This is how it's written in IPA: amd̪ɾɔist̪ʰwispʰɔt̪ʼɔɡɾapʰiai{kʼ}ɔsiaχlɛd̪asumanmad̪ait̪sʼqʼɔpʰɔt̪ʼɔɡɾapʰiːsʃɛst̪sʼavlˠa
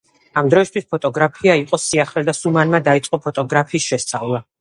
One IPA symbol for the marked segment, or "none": qʼ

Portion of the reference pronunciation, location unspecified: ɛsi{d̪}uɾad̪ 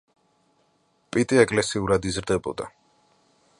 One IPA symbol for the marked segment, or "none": none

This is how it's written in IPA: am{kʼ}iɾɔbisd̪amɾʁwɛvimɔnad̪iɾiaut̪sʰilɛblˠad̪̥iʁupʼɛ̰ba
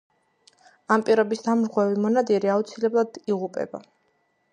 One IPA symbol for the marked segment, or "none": pʼ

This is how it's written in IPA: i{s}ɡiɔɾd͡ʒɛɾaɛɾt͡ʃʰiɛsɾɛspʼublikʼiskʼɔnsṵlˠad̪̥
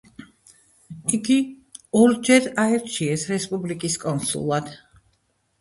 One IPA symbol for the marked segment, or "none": none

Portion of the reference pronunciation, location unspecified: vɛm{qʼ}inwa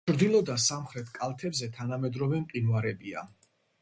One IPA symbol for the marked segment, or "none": qʼ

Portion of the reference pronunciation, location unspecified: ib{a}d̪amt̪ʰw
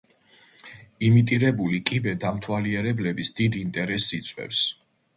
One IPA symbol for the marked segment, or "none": ɛ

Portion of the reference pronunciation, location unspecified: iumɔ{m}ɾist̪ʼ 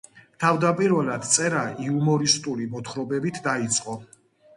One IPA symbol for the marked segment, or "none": none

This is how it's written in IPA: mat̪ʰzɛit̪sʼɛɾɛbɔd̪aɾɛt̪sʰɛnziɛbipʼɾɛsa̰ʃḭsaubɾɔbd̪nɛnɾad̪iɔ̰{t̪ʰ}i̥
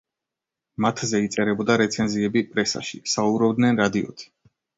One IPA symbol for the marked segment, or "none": t̪ʰ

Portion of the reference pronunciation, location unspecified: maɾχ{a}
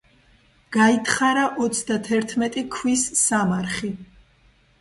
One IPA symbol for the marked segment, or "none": i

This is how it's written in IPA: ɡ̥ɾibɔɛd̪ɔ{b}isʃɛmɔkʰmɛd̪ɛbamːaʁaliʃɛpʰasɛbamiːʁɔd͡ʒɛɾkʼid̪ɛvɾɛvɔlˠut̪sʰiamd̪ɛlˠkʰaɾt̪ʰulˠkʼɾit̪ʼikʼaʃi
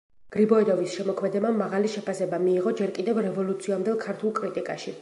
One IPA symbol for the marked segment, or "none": v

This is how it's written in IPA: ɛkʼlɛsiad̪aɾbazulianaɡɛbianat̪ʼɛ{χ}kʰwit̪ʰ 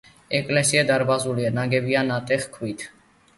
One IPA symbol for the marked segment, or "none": χ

